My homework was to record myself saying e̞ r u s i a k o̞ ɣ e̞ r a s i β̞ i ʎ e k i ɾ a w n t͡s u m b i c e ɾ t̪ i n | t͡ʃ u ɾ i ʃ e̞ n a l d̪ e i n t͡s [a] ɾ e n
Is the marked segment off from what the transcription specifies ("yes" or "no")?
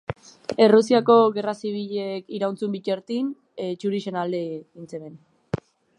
yes